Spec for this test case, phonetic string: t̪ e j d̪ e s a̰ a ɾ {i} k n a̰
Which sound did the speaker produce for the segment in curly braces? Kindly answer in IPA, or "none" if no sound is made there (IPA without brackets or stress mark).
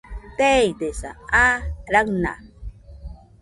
a